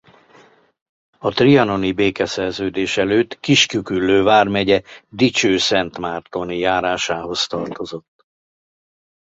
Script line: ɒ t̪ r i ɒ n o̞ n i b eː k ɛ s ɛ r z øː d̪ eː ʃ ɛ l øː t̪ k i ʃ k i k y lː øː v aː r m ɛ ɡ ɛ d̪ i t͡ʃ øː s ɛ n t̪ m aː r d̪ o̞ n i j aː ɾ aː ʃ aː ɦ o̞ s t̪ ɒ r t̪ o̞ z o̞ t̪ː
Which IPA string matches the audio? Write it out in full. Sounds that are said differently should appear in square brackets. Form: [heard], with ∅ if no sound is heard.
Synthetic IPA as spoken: ɒ t̪ r i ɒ n o̞ n i b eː k ɛ s ɛ r z øː d̪ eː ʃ ɛ l øː t̪ k i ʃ k [y] k y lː øː v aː r m ɛ [ɟ] ɛ d̪ i t͡ʃ øː s ɛ n t̪ m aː r [t̪] o̞ n i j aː ɾ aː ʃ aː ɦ o̞ s t̪ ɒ r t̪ o̞ z o̞ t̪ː